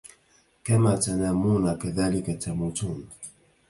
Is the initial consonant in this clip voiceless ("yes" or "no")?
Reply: yes